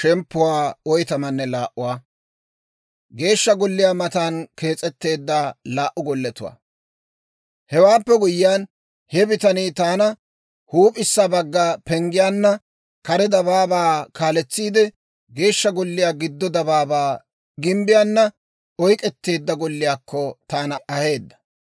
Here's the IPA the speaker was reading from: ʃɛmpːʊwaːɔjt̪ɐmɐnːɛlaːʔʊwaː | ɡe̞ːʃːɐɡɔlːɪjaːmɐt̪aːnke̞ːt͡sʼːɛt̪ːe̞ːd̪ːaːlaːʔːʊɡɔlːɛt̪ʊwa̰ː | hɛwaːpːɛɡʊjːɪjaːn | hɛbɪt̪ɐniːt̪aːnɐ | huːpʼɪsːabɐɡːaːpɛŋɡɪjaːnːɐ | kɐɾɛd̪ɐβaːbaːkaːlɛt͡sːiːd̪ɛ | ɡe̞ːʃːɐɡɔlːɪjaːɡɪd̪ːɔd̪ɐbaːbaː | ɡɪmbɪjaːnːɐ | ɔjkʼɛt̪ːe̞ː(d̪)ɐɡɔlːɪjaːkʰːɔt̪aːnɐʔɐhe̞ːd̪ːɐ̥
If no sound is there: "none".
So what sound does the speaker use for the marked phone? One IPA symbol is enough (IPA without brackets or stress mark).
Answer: d̪ː